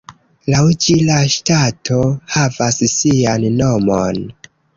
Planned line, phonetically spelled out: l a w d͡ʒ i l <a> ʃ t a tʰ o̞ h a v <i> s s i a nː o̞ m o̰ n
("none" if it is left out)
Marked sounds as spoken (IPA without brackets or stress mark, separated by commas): a, a